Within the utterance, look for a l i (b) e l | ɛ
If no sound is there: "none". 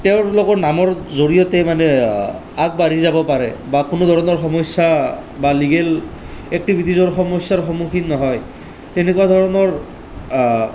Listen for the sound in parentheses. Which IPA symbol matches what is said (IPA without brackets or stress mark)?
ɡ